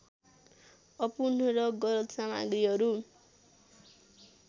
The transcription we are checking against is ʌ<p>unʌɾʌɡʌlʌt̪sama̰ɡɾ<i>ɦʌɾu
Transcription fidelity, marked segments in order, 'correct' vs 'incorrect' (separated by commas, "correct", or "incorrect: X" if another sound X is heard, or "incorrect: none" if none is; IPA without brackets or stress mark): correct, correct